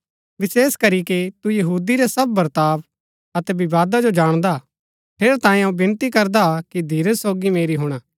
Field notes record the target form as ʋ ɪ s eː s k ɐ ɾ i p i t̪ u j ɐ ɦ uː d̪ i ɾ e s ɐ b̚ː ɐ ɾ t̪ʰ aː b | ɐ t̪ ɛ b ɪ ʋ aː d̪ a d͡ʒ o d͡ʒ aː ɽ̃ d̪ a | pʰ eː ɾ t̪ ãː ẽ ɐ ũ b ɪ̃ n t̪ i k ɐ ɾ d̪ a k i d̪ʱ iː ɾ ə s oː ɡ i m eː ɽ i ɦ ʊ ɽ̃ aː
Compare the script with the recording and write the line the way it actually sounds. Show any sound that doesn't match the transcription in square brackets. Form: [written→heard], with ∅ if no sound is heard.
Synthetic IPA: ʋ ɪ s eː s k ɐ ɾ i [p→k] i t̪ u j ɐ ɦ uː d̪ i ɾ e s ɐ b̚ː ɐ ɾ [t̪ʰ→t̪] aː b | ɐ t̪ ɛ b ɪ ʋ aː d̪ a d͡ʒ o d͡ʒ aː ɽ̃ d̪ a | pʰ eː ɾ t̪ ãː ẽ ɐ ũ b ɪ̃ n t̪ i k ɐ ɾ d̪ a k i d̪ʱ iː ɾ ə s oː ɡ i m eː [ɽ→ɾ] i ɦ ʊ ɽ̃ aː